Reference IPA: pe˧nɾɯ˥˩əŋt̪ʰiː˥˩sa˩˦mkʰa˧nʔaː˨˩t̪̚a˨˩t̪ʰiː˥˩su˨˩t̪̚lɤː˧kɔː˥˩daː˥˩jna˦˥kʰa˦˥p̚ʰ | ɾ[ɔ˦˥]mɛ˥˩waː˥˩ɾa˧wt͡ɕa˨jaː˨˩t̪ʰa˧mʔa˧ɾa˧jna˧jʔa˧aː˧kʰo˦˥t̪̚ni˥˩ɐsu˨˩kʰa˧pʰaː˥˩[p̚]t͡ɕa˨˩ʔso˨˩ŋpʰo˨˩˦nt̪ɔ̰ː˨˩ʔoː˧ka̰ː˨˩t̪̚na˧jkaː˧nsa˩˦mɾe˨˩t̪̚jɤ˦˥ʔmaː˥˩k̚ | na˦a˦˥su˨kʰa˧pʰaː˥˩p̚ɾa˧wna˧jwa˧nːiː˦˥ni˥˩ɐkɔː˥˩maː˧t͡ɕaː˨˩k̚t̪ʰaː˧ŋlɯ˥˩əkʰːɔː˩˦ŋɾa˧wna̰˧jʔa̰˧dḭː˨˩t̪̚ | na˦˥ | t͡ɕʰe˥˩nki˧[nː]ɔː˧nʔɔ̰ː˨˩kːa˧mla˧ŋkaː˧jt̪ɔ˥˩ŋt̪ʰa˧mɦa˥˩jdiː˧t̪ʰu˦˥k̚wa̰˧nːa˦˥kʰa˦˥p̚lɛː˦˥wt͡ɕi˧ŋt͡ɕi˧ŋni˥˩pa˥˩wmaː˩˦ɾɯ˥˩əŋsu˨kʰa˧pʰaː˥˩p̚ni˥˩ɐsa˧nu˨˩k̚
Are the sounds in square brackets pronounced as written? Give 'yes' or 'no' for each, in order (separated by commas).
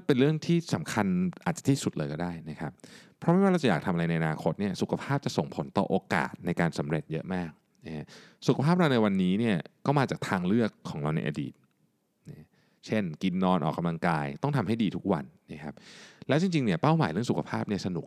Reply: yes, yes, yes